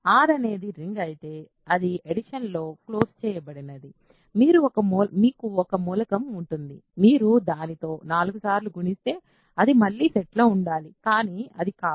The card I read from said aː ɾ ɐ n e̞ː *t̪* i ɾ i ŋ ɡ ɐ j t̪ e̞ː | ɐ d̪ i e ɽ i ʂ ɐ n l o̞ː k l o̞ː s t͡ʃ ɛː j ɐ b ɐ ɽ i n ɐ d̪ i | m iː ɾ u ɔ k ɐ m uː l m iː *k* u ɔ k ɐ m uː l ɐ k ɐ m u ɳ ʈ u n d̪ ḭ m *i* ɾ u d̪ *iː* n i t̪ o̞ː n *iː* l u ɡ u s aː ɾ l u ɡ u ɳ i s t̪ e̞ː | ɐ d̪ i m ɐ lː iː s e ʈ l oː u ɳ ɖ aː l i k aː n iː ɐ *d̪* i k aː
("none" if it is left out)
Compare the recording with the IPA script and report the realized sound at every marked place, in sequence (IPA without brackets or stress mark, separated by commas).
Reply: d̪, k, iː, aː, aː, d̪